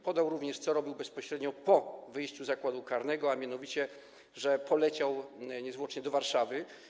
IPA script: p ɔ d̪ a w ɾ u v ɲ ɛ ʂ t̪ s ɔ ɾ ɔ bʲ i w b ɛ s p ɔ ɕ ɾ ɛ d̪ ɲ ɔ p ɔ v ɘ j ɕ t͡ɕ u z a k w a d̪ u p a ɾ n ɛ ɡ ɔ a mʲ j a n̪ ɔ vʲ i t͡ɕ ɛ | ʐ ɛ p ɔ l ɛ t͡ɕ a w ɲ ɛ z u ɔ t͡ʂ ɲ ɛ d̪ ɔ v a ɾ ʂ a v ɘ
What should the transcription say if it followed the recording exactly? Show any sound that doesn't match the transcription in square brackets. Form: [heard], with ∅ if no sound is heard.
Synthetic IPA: p ɔ d̪ a w ɾ u v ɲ ɛ ʂ t̪ s ɔ ɾ ɔ bʲ i w b ɛ s p ɔ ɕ ɾ ɛ d̪ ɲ ɔ p ɔ v ɘ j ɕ t͡ɕ u z a k w a d̪ u [k] a ɾ n ɛ ɡ ɔ a mʲ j a n̪ ɔ vʲ i t͡ɕ ɛ | ʐ ɛ p ɔ l ɛ t͡ɕ a w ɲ ɛ z [w] ɔ t͡ʂ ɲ ɛ d̪ ɔ v a ɾ ʂ a v ɘ